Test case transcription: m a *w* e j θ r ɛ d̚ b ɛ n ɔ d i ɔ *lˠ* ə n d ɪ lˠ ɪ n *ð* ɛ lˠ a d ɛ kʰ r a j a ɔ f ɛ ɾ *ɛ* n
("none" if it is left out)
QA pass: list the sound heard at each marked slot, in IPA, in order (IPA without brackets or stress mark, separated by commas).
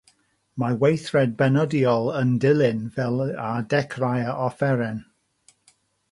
w, lˠ, v, ɛ